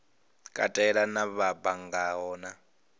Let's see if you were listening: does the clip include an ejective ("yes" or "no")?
yes